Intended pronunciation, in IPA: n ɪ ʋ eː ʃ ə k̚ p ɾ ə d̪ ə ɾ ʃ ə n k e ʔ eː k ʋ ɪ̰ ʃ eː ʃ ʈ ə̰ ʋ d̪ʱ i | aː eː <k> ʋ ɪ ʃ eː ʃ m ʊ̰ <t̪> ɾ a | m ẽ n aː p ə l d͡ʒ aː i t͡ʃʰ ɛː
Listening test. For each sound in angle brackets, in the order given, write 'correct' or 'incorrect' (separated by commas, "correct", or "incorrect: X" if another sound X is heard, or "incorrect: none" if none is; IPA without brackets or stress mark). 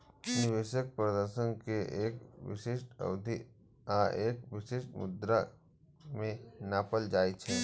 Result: correct, incorrect: d̪